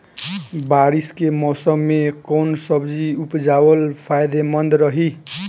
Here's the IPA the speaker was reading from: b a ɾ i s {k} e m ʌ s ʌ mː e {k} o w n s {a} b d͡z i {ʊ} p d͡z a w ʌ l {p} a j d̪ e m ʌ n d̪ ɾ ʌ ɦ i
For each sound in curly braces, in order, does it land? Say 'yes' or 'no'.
yes, yes, no, no, no

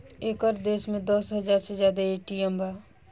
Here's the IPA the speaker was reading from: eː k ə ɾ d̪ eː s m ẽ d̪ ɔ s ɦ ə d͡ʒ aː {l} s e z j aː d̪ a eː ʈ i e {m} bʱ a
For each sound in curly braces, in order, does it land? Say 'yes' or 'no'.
no, yes

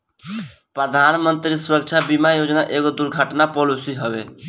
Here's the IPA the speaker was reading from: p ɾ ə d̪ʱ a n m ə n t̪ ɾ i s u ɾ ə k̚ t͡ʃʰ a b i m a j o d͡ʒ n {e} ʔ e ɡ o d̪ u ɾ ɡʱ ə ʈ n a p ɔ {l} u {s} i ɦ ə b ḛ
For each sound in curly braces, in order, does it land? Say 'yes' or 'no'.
no, yes, yes

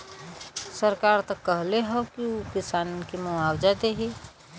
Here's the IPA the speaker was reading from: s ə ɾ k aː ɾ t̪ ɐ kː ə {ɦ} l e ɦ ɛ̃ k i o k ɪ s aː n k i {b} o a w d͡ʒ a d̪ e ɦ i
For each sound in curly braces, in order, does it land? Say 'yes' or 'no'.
yes, no

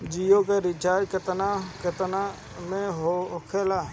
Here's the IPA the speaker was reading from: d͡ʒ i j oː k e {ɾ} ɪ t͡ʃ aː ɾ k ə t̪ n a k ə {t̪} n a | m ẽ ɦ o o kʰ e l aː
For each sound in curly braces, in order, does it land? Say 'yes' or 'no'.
yes, yes

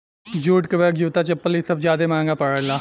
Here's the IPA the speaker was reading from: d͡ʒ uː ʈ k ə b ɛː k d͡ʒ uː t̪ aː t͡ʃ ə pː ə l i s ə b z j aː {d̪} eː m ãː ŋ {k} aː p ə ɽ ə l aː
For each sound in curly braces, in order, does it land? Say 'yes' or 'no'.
yes, no

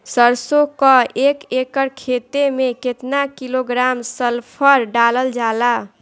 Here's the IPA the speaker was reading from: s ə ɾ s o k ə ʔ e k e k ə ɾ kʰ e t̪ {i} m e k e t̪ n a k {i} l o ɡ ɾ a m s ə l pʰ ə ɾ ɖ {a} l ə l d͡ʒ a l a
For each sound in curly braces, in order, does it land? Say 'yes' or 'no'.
no, yes, yes

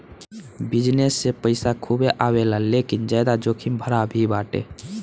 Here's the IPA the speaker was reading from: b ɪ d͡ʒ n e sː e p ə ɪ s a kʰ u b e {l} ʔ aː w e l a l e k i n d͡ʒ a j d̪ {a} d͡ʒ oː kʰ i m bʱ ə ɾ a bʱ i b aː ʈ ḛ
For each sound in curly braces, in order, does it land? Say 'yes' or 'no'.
no, yes

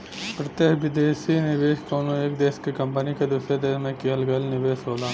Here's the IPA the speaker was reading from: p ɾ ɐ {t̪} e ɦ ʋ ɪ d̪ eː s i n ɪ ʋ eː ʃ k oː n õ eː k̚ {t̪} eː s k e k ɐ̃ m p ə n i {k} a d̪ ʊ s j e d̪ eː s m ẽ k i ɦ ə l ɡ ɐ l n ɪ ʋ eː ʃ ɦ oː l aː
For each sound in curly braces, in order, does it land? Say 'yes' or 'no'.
yes, no, yes

